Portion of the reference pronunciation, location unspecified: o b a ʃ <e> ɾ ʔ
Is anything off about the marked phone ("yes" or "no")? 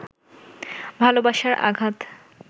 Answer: yes